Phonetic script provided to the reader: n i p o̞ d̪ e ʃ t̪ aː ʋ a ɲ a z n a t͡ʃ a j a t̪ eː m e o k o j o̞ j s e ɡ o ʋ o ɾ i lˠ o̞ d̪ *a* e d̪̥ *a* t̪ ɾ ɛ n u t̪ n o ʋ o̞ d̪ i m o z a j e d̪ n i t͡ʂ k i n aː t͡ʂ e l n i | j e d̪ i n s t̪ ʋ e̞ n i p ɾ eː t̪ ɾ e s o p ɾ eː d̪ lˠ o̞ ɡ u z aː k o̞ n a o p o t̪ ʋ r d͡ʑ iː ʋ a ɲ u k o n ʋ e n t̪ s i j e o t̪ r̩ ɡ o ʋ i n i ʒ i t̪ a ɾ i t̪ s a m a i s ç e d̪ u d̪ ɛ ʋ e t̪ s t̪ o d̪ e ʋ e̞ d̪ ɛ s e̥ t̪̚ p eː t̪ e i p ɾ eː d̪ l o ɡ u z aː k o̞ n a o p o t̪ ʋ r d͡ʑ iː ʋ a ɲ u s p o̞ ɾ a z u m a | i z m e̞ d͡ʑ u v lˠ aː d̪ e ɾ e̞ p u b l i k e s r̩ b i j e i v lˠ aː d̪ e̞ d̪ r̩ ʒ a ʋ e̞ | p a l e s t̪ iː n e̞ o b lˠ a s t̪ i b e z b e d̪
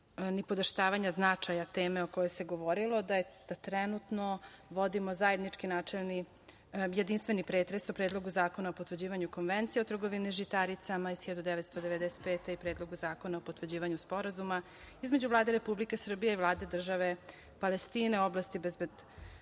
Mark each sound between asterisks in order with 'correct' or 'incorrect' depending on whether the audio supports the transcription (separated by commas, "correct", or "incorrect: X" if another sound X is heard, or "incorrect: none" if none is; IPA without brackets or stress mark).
correct, correct